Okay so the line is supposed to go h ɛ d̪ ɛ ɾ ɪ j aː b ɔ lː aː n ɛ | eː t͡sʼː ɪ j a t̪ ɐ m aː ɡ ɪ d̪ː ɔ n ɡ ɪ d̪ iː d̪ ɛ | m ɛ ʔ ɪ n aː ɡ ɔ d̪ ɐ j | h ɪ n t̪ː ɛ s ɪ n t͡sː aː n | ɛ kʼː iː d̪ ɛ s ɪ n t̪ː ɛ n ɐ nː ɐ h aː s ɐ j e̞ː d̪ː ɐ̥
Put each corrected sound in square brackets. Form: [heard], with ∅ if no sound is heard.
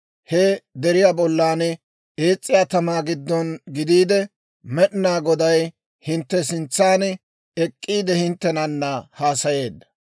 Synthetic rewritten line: h ɛ d̪ ɛ ɾ ɪ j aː b ɔ lː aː n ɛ | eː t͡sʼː ɪ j a t̪ ɐ m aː ɡ ɪ d̪ː ɔ n ɡ ɪ d̪ iː d̪ ɛ | m ɛ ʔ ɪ n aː ɡ ɔ d̪ ɐ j | h ɪ n t̪ː ɛ s ɪ n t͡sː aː n | ɛ kʼː iː d̪ ɛ [h] ɪ n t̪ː ɛ n ɐ nː ɐ h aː s ɐ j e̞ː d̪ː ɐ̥